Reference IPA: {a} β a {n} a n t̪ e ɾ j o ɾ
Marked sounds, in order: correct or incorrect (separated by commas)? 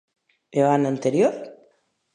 incorrect, correct